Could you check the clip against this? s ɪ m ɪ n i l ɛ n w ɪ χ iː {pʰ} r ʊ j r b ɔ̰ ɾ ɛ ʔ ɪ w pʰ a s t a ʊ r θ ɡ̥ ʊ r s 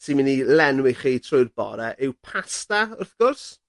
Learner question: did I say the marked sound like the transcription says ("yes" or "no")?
no